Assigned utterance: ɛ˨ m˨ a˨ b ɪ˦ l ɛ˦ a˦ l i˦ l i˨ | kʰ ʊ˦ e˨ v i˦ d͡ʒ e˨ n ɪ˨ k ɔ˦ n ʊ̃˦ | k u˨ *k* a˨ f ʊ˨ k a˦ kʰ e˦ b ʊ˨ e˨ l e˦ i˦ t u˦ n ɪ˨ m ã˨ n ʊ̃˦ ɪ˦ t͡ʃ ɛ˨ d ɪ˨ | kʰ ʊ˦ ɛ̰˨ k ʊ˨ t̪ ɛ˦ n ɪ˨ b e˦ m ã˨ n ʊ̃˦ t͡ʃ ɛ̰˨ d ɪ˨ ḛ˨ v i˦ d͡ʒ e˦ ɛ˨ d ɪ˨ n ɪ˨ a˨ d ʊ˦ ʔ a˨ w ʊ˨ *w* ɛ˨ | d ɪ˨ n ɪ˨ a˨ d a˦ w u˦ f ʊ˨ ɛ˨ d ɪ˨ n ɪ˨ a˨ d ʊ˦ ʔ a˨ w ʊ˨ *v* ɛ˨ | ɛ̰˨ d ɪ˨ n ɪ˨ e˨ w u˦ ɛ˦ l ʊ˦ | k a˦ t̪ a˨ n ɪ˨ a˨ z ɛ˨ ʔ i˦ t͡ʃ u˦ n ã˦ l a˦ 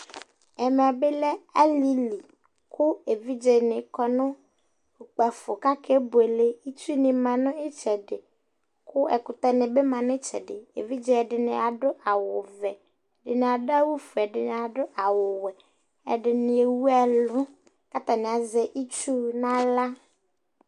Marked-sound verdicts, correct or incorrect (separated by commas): incorrect, incorrect, incorrect